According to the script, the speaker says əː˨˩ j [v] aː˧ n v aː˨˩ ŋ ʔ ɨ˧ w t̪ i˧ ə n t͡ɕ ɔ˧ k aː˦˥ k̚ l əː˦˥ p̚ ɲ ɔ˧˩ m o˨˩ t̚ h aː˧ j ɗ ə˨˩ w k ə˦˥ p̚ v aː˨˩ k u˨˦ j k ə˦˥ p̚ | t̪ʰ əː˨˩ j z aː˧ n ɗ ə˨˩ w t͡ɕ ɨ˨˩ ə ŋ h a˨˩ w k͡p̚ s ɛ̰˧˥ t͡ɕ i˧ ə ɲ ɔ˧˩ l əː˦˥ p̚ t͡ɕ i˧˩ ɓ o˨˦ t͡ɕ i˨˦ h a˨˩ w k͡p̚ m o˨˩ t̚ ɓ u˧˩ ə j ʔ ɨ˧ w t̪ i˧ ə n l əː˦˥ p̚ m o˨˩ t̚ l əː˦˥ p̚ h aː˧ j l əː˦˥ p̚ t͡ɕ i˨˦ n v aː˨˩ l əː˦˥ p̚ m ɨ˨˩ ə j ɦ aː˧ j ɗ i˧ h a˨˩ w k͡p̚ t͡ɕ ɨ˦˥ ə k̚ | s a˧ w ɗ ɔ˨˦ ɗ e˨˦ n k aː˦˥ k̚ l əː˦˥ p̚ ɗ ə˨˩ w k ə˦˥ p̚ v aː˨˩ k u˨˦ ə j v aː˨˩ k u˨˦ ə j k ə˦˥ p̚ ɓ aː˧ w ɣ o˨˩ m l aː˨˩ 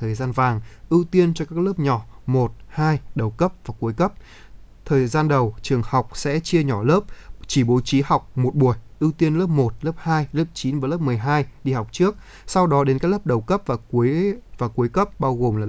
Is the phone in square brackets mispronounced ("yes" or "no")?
yes